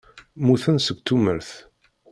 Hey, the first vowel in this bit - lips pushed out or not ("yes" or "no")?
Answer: yes